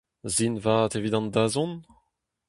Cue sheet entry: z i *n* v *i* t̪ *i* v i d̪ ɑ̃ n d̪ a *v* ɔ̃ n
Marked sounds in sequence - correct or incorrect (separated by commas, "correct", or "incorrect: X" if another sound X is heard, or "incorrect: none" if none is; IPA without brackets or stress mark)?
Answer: correct, incorrect: a, incorrect: e, incorrect: z